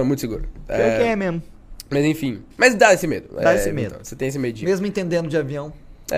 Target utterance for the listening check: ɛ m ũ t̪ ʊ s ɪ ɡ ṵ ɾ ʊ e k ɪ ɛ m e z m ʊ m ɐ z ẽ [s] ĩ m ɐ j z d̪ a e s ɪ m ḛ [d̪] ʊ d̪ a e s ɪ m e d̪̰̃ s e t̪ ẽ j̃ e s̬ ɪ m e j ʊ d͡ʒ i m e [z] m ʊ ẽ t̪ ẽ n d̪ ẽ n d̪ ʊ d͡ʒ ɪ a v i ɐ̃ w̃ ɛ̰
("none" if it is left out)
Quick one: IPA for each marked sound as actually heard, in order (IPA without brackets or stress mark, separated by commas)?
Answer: f, d̪, z